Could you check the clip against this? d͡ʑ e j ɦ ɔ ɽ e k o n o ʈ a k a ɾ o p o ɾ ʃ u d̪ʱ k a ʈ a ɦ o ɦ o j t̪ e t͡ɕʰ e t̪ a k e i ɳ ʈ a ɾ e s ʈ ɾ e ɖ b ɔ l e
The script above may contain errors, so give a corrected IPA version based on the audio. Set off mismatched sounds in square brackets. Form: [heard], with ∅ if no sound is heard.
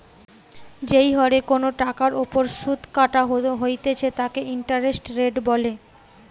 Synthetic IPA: d͡ʑ e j ɦ ɔ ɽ e k o n o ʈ a k a ɾ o p o ɾ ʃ u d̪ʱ k a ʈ a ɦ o ɦ o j t̪ e t͡ɕʰ e t̪ a k e i ɳ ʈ a ɾ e s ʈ ɾ e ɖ b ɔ l e